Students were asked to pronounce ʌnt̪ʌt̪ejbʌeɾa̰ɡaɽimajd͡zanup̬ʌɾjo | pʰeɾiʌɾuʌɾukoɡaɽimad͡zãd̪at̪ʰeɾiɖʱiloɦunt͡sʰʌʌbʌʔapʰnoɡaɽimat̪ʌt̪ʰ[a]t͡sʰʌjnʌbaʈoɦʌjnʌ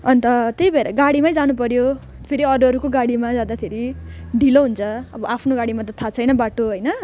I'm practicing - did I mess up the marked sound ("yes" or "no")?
no